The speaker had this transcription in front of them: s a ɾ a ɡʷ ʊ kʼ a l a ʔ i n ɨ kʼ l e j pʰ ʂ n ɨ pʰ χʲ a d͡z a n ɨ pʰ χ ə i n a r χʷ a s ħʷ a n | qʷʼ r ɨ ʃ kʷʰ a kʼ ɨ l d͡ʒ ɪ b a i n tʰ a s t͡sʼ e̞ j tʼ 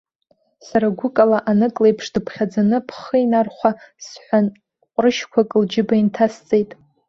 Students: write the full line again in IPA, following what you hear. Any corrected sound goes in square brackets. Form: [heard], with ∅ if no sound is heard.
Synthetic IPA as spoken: s a ɾ a ɡʷ ʊ kʼ a l a ʔ [a] n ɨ kʼ l e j pʰ ʂ [d] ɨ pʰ χʲ a d͡z a n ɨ pʰ χ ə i n a r χʷ a s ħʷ a n | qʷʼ r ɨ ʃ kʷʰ a kʼ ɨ l d͡ʒ ɪ b a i n tʰ a s t͡sʼ e̞ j tʼ